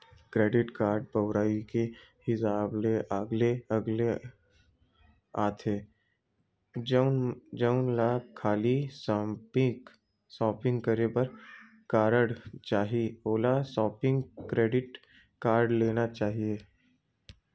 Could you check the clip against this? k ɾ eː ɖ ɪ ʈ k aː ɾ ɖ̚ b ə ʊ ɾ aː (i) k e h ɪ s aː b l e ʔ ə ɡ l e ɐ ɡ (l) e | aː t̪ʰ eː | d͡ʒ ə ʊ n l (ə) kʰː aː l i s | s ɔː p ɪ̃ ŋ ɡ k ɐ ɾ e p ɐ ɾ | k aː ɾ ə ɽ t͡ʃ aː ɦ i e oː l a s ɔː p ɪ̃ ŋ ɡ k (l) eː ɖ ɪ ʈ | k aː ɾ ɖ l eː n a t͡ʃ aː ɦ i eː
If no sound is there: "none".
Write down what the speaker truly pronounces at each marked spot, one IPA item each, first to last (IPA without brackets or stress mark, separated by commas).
i, l, a, ɾ